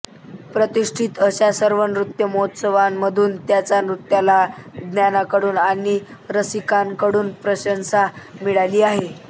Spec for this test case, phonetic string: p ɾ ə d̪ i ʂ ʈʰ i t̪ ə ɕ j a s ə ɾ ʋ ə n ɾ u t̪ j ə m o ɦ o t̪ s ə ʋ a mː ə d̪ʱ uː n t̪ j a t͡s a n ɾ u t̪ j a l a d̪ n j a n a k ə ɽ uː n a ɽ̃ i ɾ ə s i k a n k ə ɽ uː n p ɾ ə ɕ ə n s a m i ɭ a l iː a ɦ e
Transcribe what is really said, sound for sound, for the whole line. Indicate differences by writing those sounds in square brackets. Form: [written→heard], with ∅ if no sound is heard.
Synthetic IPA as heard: p ɾ ə [d̪→t̪] i ʂ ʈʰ i t̪ ə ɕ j a s ə ɾ ʋ ə n ɾ u t̪ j ə m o ɦ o t̪ s ə ʋ a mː ə d̪ʱ uː n t̪ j a t͡s a n ɾ u t̪ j a l a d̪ n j a n a k ə ɽ uː n a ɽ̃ i ɾ ə s i k a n k ə ɽ uː n p ɾ ə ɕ ə n s a m i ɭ a l iː a ɦ e

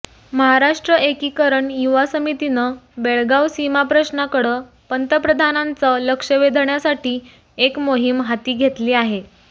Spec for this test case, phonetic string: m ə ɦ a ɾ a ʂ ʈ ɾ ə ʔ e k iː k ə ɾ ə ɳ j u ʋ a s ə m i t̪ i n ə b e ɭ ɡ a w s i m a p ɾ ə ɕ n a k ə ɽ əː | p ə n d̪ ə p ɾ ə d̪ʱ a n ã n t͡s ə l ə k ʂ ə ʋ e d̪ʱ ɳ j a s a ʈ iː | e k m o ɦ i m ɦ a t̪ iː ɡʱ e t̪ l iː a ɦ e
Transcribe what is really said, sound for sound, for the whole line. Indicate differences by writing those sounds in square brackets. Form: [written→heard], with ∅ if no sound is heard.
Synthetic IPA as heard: m ə ɦ a ɾ a ʂ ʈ ɾ ə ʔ e k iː k ə ɾ ə ɳ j u ʋ a s ə m i t̪ i n ə b e ɭ ɡ a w s i m a p ɾ ə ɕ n a k ə ɽ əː | p ə n [d̪→t̪] ə p ɾ ə d̪ʱ a n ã n t͡s ə l ə k ʂ ə ʋ e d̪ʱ ɳ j a s a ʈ iː | e k m o ɦ i m ɦ a t̪ iː ɡʱ e t̪ l iː a ɦ e

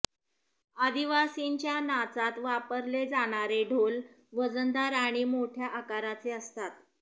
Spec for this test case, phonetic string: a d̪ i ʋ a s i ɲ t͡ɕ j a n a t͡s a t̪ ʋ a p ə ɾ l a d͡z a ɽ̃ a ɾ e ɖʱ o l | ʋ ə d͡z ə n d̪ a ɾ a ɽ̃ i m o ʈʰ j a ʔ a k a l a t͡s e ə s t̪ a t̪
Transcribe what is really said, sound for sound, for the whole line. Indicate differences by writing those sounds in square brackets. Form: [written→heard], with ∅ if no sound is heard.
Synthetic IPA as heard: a d̪ i ʋ a s i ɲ t͡ɕ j a n a t͡s a t̪ ʋ a p ə ɾ l [a→e] d͡z a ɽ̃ a ɾ e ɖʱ o l | ʋ ə d͡z ə n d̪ a ɾ a ɽ̃ i m o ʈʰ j a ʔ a k a [l→ɾ] a t͡s e ə s t̪ a t̪

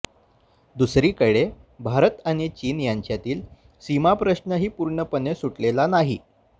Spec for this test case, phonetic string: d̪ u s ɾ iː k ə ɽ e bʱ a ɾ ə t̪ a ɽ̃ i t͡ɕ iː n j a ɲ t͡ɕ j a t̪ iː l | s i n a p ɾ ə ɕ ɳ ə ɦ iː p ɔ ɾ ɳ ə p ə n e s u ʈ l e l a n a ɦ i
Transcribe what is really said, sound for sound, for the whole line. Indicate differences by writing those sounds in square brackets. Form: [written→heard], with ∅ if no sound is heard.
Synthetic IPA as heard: d̪ u s ɾ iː k ə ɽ e bʱ a ɾ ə t̪ a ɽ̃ i t͡ɕ iː n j a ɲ t͡ɕ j a t̪ iː l | s i [n→m] a p ɾ ə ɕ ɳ ə ɦ iː p [ɔ→u] ɾ ɳ ə p ə n e s u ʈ l e l a n a ɦ i

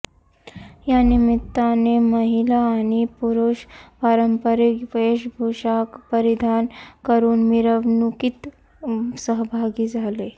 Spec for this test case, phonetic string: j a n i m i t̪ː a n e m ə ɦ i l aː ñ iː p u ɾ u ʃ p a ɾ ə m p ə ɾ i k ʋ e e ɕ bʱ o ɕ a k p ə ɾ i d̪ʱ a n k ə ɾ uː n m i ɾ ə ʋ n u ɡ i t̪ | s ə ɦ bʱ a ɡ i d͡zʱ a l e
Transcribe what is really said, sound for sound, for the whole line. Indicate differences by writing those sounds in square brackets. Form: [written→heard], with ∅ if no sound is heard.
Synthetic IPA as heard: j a n i m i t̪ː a n e m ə ɦ i l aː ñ [iː→i] p u ɾ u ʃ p a ɾ ə m p ə ɾ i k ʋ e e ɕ bʱ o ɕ a k p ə ɾ i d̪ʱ a n k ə ɾ uː n m i ɾ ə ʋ n u [ɡ→k] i t̪ | s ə ɦ bʱ a ɡ i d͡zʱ a l e

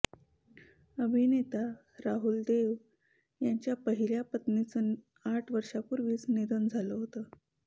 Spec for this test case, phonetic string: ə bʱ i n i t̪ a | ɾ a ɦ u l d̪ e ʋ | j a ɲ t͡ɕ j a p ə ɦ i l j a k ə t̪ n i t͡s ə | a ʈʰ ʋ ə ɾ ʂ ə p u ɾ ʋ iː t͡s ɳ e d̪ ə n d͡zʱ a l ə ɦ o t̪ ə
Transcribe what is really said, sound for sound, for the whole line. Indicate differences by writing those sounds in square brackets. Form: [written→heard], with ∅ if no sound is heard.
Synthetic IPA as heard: ə bʱ i n [i→e] t̪ a | ɾ a ɦ u l d̪ e ʋ | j a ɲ t͡ɕ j a p ə ɦ i l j a [k→p] ə t̪ n i t͡s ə | a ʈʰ ʋ ə ɾ ʂ [ə→a] p u ɾ ʋ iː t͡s [ɳ→n] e d̪ ə n d͡zʱ a l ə ɦ o t̪ ə

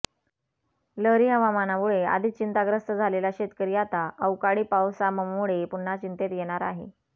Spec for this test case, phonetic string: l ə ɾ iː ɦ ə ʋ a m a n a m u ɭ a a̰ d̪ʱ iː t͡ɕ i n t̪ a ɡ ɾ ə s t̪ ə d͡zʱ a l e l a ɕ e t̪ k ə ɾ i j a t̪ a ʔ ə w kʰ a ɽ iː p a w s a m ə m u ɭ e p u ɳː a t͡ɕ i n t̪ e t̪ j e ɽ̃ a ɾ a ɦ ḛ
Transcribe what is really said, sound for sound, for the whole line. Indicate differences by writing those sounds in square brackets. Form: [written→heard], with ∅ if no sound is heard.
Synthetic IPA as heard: l ə ɾ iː ɦ ə ʋ a m a n a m u ɭ [a→e] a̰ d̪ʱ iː t͡ɕ i n t̪ a ɡ ɾ ə s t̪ ə d͡zʱ a l e l a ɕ e t̪ k ə ɾ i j a t̪ a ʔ ə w [kʰ→k] a ɽ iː p a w s a m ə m u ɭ e p u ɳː a t͡ɕ i n t̪ e t̪ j e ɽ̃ a ɾ a ɦ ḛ

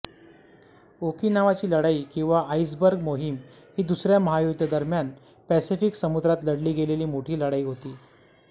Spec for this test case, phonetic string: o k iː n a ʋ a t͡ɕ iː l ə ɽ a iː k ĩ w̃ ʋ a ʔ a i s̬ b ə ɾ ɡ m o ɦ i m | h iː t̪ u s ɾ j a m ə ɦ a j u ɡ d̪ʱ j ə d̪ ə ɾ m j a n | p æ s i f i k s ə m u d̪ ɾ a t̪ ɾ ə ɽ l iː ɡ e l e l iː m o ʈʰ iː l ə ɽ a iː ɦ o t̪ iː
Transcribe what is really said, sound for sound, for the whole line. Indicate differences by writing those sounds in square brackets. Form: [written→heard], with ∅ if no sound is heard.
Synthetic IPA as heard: o k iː n a ʋ a t͡ɕ iː l ə ɽ a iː k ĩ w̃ ʋ a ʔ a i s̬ b ə ɾ ɡ m o ɦ i m | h iː [t̪→d̪] u s ɾ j a m ə ɦ a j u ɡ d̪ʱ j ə d̪ ə ɾ m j a n | p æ s i f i k s ə m u d̪ ɾ a t̪ [ɾ→l] ə ɽ l iː ɡ e l e l iː m o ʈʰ iː l ə ɽ a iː ɦ o t̪ iː

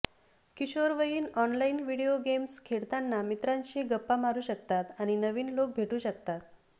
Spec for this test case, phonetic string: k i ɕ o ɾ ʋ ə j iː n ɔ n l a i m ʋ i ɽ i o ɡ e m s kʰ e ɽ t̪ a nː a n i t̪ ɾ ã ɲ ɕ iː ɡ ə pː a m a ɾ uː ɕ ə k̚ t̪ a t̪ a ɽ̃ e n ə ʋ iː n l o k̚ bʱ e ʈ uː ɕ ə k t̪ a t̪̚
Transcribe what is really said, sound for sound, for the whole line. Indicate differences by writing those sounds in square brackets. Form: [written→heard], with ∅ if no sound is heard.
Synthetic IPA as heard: k i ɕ o ɾ ʋ ə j iː n ɔ n l a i [m→n] ʋ i ɽ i o ɡ e m s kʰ e ɽ t̪ a nː a [n→m] i t̪ ɾ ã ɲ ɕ iː ɡ ə pː a m a ɾ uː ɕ ə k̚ t̪ a t̪ a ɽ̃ [e→i] n ə ʋ iː n l o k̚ bʱ e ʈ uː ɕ ə k t̪ a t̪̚

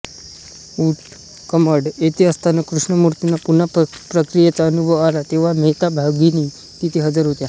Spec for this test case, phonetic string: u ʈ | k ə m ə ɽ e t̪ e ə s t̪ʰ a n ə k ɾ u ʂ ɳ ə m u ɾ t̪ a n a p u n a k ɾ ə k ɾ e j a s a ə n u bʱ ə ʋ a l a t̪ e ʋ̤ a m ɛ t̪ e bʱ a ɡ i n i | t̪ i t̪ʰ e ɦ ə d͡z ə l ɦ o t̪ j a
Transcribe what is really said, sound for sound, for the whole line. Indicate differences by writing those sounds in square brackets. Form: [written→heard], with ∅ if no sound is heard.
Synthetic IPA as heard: u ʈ | k ə m ə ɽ e t̪ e ə s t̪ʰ a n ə k ɾ u ʂ ɳ ə m u ɾ t̪ [a→i] n a p u n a [k→p] ɾ ə k ɾ [e→i] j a [s→t͡s] a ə n u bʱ ə ʋ a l a t̪ e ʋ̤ a m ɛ t̪ [e→a] bʱ a ɡ i n i | t̪ i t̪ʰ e ɦ ə d͡z ə [l→ɾ] ɦ o t̪ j a

